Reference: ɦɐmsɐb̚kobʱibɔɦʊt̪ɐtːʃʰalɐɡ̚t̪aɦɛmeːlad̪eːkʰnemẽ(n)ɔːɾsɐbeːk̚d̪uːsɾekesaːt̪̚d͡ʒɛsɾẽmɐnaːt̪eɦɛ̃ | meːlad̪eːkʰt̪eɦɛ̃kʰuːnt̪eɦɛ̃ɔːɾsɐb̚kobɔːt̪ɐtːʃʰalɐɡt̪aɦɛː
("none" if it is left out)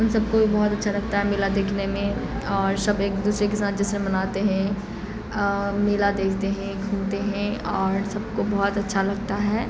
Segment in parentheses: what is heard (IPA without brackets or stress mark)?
none